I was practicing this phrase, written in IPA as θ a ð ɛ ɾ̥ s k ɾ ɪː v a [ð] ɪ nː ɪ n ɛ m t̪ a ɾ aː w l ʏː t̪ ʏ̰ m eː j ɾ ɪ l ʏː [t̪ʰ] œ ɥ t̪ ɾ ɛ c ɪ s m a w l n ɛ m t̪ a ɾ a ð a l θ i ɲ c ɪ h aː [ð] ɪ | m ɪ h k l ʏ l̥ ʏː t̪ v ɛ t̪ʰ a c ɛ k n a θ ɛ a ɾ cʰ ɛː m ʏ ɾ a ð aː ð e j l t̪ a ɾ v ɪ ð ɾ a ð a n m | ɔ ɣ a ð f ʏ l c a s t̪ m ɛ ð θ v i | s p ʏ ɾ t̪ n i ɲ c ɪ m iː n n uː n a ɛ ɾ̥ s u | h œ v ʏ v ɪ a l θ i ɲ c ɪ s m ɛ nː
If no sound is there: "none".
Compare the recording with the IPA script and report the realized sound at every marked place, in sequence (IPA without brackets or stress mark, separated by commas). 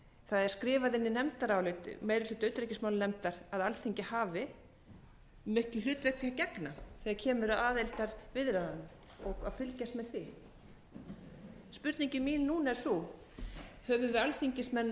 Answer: ð, t̪, v